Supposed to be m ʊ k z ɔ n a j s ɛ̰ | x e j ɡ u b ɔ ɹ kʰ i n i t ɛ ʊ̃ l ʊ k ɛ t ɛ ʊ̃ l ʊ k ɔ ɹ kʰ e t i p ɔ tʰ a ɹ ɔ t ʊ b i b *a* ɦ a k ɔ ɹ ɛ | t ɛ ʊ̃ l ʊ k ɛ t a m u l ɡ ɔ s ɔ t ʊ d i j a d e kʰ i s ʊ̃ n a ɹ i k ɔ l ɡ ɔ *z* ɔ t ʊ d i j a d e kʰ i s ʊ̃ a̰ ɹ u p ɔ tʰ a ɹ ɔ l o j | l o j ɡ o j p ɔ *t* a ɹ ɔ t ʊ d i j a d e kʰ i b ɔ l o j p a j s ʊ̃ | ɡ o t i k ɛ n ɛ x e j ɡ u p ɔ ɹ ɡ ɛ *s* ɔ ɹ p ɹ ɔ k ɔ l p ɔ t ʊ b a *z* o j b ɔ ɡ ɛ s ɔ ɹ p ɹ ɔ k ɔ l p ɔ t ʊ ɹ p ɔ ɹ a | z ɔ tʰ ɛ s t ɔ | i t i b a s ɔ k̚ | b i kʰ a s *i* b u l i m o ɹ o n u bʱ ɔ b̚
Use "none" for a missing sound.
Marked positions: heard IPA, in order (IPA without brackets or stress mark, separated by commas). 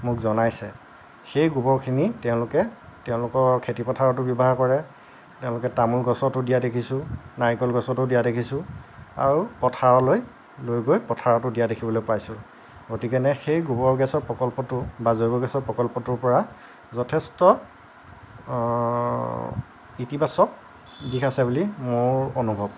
a, s, tʰ, s, z, ɛ